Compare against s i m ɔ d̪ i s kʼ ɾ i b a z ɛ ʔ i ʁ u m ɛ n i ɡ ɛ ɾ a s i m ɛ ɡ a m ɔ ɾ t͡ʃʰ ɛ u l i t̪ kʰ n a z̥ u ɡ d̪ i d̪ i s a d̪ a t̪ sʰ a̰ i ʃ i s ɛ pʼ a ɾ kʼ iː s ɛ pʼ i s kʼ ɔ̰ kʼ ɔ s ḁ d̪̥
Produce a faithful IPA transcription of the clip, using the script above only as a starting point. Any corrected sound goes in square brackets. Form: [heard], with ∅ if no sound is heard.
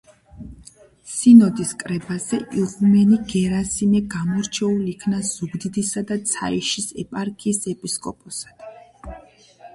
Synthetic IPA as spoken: s i [n] ɔ d̪ i s kʼ ɾ [ɛ] b a z ɛ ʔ i ʁ u m ɛ n i ɡ ɛ ɾ a s i m ɛ ɡ a m ɔ ɾ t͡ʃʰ ɛ u l i [∅] kʰ n a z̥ u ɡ d̪ i d̪ i s a d̪ a t̪ sʰ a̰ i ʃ i s ɛ pʼ a ɾ kʼ iː s ɛ pʼ i s kʼ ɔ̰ [pʼ] ɔ s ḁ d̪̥